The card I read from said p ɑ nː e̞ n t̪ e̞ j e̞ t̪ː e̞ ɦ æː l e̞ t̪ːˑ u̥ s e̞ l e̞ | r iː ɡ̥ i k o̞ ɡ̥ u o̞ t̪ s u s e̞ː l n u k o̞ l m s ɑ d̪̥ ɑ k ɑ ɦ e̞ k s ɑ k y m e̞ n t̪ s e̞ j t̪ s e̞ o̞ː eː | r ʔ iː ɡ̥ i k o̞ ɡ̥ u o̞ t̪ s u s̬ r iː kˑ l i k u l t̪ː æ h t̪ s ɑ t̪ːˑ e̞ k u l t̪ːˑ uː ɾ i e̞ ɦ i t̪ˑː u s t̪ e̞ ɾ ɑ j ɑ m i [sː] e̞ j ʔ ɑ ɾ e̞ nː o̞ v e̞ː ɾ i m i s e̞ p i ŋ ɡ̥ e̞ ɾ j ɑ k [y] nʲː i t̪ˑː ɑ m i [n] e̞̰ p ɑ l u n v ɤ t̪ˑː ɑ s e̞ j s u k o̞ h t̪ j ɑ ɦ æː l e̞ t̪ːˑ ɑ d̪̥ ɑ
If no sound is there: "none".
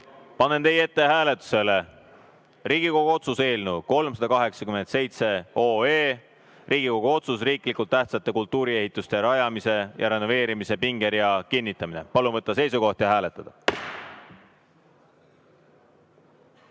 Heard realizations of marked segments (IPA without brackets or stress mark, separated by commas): s, i, n